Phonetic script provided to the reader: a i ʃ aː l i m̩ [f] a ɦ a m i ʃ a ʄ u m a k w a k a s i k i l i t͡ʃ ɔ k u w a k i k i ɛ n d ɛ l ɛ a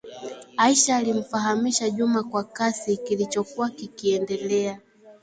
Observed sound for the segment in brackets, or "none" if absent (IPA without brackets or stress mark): f